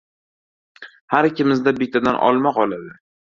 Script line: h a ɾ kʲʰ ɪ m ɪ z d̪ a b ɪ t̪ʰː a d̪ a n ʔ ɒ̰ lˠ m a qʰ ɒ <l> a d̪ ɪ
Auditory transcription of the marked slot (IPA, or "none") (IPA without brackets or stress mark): l